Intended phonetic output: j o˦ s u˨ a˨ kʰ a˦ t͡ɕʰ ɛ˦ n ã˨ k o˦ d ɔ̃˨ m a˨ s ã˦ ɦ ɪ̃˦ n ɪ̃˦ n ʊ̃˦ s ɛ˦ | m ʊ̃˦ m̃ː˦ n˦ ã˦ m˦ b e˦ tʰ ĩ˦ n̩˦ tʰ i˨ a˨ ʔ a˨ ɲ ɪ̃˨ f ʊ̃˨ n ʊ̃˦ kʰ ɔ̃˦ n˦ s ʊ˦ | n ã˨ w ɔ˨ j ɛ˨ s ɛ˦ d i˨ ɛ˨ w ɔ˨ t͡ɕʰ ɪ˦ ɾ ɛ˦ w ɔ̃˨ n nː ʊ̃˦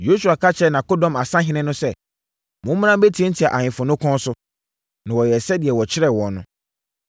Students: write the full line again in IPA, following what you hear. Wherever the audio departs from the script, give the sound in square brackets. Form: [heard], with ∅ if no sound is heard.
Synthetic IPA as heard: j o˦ s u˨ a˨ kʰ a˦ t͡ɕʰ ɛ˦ n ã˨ k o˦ d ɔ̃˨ m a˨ s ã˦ ɦ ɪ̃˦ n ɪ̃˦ n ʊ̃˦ s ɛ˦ | m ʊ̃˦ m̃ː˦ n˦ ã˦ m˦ b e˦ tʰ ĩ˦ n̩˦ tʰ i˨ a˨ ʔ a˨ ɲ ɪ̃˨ f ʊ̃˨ n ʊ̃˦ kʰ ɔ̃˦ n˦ s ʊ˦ | n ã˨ w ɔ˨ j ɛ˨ s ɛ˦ d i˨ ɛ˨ w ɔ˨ t͡ɕʰ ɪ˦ ɾ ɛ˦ w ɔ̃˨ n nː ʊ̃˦